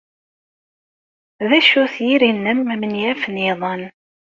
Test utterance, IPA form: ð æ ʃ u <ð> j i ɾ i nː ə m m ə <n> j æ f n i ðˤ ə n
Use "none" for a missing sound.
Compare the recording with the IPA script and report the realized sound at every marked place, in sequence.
θ, n

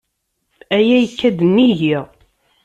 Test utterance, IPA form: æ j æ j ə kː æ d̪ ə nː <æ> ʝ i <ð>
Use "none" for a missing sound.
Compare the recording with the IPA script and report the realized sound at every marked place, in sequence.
i, ʁ

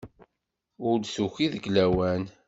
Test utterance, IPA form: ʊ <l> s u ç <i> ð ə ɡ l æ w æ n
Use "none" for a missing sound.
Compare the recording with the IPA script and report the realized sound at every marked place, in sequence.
l, i

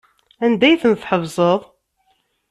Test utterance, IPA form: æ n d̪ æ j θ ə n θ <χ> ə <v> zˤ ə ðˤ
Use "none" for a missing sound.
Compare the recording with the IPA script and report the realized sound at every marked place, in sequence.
ħ, v

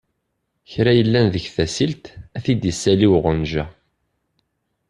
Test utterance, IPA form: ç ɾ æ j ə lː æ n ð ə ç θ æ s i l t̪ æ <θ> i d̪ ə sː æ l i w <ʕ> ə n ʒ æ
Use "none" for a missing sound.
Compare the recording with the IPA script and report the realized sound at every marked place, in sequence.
θ, ʁ

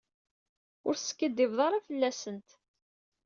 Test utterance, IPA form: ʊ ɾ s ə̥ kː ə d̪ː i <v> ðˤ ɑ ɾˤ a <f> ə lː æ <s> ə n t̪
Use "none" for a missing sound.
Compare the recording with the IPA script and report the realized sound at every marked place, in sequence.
v, f, s

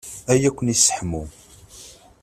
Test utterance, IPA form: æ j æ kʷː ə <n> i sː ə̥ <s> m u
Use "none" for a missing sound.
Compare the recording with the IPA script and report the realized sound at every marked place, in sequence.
n, ħ

